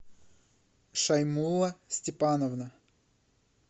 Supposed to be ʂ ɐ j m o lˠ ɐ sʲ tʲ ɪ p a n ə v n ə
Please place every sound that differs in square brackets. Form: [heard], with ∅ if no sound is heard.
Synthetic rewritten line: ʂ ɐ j m [u] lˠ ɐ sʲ tʲ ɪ p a n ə v n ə